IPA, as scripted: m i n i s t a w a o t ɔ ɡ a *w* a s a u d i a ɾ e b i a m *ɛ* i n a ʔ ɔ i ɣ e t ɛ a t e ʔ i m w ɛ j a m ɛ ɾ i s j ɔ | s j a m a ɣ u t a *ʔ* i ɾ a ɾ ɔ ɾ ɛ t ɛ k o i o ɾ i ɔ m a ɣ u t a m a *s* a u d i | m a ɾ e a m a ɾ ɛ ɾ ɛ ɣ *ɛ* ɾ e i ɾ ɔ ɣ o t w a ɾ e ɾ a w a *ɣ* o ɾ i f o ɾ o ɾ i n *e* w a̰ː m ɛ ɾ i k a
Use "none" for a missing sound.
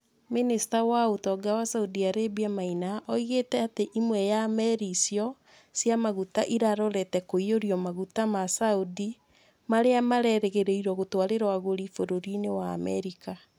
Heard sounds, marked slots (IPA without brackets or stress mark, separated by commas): w, a, ʔ, s, e, ɣ, e